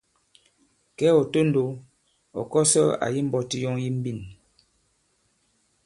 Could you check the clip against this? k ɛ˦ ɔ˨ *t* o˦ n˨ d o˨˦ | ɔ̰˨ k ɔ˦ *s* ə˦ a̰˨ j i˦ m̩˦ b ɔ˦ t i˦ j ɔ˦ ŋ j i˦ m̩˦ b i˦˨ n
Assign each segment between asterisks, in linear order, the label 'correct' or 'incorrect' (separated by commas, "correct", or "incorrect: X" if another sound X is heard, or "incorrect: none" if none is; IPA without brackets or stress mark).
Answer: correct, correct